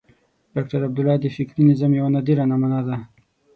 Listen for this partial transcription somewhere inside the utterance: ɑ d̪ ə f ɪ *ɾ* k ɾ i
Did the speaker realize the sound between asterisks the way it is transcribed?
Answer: no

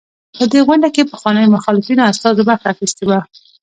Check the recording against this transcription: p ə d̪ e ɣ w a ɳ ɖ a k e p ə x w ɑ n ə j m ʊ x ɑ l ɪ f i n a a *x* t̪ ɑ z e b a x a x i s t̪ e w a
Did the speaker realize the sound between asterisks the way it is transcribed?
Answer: no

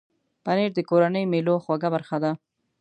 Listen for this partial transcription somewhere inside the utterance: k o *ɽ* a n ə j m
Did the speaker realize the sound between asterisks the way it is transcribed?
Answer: no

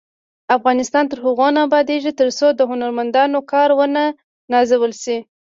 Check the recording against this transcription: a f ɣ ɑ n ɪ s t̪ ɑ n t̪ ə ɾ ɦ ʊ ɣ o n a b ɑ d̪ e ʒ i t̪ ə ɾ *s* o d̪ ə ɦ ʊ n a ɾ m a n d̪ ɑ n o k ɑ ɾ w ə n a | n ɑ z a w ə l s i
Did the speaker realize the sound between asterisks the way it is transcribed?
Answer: yes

